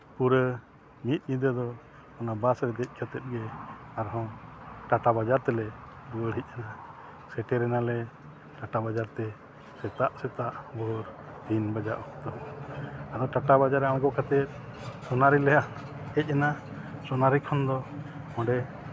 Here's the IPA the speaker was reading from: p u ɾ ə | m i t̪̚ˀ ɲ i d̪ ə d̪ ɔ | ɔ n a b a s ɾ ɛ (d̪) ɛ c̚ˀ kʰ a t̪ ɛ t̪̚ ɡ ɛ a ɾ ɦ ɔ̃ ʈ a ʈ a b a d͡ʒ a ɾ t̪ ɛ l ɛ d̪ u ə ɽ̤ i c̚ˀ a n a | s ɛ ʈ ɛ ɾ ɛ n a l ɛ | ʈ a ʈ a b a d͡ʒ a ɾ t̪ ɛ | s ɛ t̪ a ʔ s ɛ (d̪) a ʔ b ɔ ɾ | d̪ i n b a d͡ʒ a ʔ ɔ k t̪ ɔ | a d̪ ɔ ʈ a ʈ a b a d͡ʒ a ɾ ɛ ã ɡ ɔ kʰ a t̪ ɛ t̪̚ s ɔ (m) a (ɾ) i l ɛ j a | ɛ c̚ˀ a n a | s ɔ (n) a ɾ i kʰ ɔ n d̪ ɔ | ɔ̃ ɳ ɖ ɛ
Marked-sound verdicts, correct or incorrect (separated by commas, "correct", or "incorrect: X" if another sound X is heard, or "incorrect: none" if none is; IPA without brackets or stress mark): correct, incorrect: t̪, incorrect: n, correct, correct